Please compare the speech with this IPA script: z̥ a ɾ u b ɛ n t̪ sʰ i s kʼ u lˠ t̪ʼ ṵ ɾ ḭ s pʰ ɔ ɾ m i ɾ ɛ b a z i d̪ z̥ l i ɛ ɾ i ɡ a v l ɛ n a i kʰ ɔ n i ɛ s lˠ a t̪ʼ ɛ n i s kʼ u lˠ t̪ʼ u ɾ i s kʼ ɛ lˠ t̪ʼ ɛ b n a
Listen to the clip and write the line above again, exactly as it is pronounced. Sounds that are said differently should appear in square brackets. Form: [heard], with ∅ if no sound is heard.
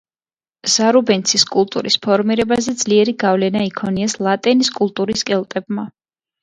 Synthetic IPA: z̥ a ɾ u b ɛ n t̪ sʰ i s kʼ u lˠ t̪ʼ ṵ ɾ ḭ s pʰ ɔ ɾ m i ɾ ɛ b a z [ɛ] d̪ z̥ l i ɛ ɾ i ɡ a v l ɛ n a i kʰ ɔ n i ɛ s lˠ a t̪ʼ ɛ n i s kʼ u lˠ t̪ʼ u ɾ i s kʼ ɛ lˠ t̪ʼ ɛ b [m] a

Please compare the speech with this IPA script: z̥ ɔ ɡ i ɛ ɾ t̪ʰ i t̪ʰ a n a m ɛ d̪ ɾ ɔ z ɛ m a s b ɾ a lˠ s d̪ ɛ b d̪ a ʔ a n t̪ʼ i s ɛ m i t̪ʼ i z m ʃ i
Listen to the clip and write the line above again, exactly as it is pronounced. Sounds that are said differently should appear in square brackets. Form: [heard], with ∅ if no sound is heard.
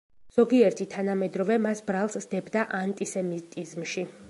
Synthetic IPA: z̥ ɔ ɡ i ɛ ɾ t̪ʰ i t̪ʰ a n a m ɛ d̪ ɾ ɔ [v] ɛ m a s b ɾ a lˠ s d̪ ɛ b d̪ a ʔ a n t̪ʼ i s ɛ m i t̪ʼ i z m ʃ i

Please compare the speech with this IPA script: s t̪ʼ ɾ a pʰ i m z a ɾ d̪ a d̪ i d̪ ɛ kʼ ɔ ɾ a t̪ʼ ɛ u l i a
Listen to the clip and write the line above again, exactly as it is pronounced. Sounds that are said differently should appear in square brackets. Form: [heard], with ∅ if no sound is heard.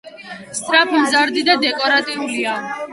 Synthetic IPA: s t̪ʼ ɾ a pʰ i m z a ɾ d̪ [i] d̪ [a] d̪ ɛ kʼ ɔ ɾ a t̪ʼ [i] u l i a

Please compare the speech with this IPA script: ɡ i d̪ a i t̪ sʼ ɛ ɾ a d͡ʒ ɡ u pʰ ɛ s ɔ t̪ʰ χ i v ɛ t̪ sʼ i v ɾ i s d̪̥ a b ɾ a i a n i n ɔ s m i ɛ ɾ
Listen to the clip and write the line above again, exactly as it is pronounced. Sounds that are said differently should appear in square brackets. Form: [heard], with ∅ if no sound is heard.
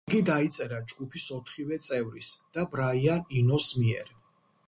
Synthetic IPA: ɡ i d̪ a i t̪ sʼ ɛ ɾ a d͡ʒ ɡ u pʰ [i] s ɔ t̪ʰ χ i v ɛ t̪ sʼ [ɛ] v ɾ i s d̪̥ a b ɾ a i a n i n ɔ s m i ɛ ɾ

